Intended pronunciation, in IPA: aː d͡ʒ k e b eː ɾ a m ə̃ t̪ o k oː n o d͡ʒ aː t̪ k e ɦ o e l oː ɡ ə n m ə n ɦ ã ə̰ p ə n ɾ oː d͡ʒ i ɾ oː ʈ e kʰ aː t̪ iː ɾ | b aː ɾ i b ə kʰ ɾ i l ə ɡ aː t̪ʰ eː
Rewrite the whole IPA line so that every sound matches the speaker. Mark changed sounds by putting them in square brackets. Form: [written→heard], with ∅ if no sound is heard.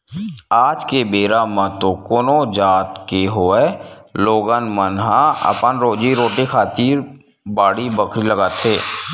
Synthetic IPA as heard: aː d͡ʒ k e b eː ɾ a m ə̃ t̪ o k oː n o d͡ʒ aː t̪ k e ɦ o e l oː ɡ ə n m ə n ɦ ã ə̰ p ə n ɾ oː d͡ʒ i ɾ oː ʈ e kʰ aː t̪ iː ɾ | b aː [ɾ→ɽ] i b ə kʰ ɾ i l ə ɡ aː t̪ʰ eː